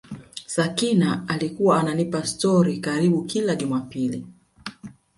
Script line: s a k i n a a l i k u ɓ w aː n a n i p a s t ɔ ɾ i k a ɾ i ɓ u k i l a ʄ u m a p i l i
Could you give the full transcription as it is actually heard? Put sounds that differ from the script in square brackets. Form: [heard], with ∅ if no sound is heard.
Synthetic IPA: s a k i n a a l i k u [∅] w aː n a n i p a s t ɔ ɾ i k a ɾ i ɓ u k i l a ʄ u m a p i l i